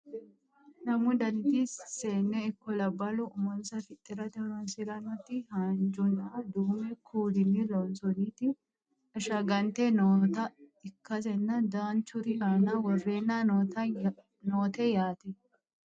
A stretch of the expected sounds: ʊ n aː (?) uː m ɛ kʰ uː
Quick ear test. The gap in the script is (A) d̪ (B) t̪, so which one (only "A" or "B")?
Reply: A